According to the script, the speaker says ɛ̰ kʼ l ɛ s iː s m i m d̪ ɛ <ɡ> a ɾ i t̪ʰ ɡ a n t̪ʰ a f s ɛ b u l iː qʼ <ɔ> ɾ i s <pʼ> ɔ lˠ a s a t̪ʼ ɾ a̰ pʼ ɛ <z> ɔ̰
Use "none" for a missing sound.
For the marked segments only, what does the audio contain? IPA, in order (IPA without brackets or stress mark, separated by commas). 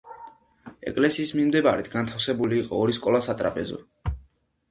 b, ɔː, kʼ, z